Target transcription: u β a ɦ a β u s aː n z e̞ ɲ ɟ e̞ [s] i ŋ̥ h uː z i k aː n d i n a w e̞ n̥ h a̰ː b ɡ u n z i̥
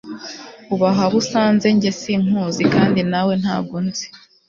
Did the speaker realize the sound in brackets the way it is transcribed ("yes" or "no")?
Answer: yes